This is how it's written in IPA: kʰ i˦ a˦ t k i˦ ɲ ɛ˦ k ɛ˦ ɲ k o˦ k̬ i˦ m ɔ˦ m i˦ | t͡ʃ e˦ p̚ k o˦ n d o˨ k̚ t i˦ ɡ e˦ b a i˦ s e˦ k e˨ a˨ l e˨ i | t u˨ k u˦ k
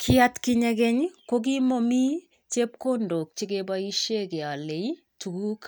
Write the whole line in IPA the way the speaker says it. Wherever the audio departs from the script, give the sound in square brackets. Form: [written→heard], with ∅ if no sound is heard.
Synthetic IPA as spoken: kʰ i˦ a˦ t k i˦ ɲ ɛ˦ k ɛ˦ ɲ k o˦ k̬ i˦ m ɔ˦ m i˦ | t͡ʃ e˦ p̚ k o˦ n d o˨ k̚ [t→t͡ʃ] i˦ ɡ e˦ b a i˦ [s→ʃ] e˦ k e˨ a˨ l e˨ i | t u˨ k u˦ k